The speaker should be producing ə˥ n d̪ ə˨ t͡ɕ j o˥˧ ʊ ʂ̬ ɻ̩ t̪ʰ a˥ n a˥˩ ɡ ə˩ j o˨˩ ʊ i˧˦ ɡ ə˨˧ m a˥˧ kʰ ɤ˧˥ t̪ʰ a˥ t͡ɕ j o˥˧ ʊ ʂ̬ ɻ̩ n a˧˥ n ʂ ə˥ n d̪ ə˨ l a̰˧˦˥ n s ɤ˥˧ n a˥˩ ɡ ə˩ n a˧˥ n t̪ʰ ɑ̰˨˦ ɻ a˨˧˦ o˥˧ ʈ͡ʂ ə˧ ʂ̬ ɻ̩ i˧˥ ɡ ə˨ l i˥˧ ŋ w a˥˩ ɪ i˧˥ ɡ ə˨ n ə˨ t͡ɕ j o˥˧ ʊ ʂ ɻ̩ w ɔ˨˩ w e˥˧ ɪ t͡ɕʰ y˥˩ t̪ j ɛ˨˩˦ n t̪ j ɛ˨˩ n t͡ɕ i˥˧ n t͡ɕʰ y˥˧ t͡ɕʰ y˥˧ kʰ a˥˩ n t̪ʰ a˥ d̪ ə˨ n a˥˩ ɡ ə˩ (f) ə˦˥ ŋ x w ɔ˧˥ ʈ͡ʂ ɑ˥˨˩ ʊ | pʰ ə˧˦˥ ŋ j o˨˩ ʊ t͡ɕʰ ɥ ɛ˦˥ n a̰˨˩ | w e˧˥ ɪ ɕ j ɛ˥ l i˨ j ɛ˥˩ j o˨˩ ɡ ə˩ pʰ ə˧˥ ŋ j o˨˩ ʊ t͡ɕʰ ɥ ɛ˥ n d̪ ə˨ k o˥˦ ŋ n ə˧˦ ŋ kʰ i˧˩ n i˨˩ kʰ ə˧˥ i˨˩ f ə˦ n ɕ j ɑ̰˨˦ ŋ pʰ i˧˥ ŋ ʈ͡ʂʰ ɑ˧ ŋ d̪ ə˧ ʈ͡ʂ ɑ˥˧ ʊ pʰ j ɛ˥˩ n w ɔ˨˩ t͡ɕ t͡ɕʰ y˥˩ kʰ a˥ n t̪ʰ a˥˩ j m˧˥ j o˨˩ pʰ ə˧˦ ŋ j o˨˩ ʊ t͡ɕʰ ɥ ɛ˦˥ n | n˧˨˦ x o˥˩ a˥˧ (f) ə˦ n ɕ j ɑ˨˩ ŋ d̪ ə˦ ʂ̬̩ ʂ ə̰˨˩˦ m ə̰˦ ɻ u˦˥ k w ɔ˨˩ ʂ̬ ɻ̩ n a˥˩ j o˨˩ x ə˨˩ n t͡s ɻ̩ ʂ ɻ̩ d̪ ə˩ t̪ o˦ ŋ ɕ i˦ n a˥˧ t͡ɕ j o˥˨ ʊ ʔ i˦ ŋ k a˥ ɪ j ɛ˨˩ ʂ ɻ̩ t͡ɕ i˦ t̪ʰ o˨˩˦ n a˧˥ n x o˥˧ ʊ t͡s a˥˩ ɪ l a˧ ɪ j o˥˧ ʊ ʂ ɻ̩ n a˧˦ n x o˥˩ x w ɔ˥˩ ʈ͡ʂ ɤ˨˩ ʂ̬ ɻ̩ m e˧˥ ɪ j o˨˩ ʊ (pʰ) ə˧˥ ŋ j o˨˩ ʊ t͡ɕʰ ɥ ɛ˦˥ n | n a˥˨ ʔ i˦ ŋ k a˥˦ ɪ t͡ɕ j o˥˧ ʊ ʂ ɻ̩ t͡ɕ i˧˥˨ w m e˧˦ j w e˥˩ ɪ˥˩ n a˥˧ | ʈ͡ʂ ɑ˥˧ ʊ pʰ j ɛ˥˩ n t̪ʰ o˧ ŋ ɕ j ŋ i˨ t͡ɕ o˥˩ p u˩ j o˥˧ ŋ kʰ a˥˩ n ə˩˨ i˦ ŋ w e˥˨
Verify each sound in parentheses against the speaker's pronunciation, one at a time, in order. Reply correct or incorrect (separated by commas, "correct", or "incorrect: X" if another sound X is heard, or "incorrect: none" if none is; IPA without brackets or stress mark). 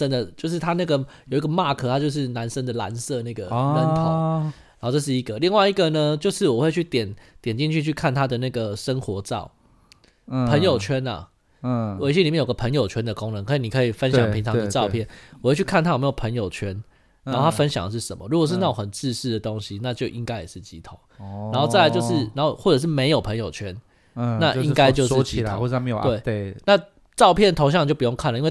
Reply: incorrect: ʂ, correct, correct